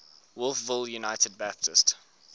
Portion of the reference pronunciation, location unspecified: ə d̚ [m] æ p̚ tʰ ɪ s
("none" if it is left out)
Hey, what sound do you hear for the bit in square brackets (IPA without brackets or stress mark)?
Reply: b